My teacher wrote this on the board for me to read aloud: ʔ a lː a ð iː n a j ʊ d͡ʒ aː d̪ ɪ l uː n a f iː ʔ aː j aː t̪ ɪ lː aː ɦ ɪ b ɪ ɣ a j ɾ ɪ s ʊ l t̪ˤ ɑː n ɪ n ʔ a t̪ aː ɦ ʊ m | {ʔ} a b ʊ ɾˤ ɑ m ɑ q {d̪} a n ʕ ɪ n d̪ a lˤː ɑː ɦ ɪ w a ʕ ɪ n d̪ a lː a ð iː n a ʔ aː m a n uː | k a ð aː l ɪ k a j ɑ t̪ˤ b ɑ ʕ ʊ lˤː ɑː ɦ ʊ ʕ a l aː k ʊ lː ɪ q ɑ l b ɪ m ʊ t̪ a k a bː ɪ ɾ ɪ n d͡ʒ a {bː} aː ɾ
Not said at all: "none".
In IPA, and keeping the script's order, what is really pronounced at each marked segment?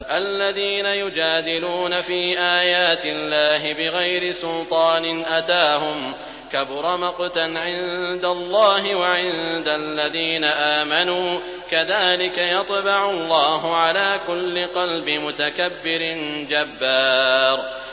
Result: k, t̪, bː

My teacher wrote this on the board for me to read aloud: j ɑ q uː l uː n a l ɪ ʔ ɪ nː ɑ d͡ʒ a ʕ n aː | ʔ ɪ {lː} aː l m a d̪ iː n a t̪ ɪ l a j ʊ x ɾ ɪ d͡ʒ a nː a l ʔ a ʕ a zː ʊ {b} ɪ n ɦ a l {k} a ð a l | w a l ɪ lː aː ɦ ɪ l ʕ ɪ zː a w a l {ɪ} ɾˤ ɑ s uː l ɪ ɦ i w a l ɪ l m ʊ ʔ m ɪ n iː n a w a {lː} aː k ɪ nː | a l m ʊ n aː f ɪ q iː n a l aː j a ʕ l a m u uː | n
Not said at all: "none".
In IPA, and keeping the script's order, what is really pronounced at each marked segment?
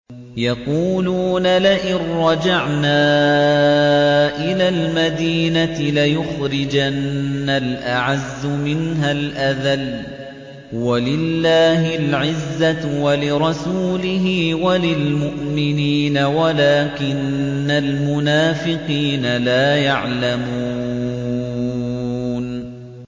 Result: l, m, ʔ, ɪ, l

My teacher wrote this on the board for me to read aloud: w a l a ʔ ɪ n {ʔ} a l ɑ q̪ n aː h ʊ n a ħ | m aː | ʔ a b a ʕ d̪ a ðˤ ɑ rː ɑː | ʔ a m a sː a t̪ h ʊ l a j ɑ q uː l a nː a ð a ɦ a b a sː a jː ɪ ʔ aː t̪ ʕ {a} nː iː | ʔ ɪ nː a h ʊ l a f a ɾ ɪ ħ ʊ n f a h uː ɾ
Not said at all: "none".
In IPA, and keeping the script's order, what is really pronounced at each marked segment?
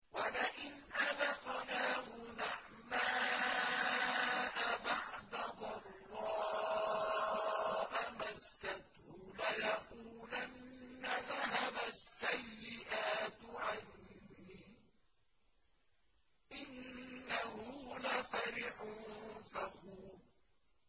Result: ʔ, a

